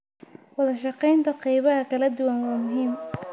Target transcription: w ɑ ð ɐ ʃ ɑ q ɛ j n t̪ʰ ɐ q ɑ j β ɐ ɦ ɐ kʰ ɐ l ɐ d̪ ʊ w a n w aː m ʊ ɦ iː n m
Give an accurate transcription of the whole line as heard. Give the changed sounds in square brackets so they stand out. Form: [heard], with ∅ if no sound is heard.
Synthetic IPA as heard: w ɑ ð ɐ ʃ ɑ q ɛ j n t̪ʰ ɐ q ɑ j β ɐ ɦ ɐ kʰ ɐ l ɐ d̪ ʊ w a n w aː m ʊ ɦ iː [∅] m